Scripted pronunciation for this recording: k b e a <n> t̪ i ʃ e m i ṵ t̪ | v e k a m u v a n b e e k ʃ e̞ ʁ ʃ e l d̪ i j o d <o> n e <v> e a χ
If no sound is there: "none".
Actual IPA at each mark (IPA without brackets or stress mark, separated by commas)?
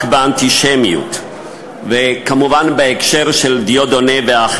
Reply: n, o, v